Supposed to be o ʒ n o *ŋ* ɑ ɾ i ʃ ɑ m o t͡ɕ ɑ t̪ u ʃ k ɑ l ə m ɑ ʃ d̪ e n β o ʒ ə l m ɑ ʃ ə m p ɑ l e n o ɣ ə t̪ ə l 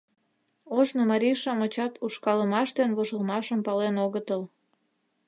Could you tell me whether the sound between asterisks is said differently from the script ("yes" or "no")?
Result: yes